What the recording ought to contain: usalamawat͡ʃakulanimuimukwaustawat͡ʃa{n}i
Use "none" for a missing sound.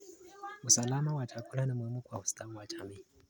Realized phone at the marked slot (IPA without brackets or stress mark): m